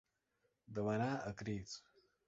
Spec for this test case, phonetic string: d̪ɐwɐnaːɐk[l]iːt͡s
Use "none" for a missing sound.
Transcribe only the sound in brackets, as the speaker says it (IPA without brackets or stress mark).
ɾ